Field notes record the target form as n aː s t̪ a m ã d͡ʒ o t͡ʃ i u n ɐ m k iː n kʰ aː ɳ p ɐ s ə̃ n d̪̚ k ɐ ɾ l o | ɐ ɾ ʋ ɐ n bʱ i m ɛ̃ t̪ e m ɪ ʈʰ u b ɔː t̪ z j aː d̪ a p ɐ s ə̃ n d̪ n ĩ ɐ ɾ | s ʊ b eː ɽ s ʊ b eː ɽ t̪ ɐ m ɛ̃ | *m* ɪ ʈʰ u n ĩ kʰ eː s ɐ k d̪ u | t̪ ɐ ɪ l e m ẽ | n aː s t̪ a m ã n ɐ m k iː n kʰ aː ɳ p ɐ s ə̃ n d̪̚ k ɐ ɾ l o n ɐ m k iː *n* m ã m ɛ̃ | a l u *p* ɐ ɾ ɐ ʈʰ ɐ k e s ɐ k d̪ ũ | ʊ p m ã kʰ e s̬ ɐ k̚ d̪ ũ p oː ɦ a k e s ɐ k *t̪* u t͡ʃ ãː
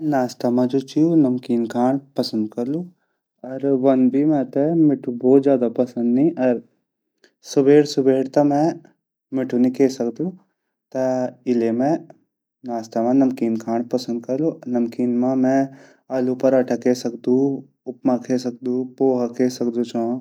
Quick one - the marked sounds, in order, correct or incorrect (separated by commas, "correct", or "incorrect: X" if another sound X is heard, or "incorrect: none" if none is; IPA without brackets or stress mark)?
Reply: correct, correct, correct, incorrect: d̪